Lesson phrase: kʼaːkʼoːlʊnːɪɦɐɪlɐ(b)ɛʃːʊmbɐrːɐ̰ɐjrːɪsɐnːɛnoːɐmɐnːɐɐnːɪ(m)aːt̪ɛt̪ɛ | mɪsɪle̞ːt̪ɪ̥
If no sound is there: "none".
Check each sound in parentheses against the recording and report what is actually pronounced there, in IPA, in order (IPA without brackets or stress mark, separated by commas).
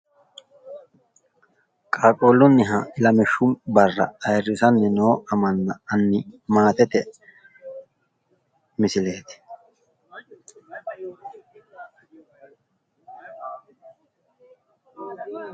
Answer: m, m